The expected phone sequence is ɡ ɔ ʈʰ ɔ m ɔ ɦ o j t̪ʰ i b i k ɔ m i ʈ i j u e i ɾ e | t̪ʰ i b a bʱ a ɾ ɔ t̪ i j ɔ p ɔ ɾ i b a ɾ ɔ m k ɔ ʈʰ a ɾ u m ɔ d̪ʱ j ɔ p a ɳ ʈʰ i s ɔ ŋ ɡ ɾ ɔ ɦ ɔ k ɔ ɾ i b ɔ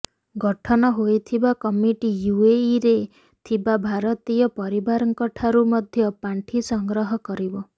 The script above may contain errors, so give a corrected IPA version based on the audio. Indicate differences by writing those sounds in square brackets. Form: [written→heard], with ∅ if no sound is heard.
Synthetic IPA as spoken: ɡ ɔ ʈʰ ɔ [m→n] ɔ ɦ o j t̪ʰ i b [i→a] k ɔ m i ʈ i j u e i ɾ e | t̪ʰ i b a bʱ a ɾ ɔ t̪ i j ɔ p ɔ ɾ i b a ɾ ɔ [m→ŋ] k ɔ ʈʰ a ɾ u m ɔ d̪ʱ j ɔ p a ɳ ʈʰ i s ɔ ŋ ɡ ɾ ɔ ɦ ɔ k ɔ ɾ i b ɔ